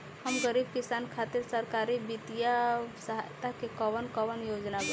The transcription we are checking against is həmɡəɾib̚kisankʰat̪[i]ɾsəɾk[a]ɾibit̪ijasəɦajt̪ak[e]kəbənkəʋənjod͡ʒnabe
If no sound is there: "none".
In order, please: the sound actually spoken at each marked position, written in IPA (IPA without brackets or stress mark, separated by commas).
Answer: i, a, e